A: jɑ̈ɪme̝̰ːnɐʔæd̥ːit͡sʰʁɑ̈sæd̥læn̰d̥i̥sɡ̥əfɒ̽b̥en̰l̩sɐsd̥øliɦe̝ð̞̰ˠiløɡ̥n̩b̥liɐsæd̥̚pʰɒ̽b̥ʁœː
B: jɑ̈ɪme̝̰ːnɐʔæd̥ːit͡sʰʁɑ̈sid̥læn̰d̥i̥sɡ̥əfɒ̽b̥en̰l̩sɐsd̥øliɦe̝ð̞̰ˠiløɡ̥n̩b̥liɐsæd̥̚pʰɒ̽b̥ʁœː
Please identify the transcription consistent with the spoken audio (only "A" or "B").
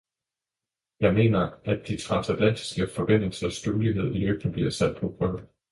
A